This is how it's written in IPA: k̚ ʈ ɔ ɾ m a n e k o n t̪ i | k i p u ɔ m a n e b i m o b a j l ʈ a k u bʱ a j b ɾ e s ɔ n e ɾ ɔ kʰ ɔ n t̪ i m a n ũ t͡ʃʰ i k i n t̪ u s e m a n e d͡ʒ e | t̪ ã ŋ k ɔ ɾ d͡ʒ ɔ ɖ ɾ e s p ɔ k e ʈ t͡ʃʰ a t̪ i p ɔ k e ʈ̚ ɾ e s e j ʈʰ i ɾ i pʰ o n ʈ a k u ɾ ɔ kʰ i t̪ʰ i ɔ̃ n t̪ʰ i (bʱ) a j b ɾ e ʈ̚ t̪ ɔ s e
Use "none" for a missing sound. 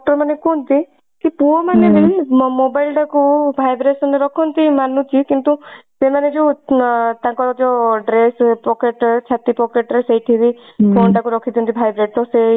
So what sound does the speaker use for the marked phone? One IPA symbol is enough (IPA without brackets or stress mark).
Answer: bʱ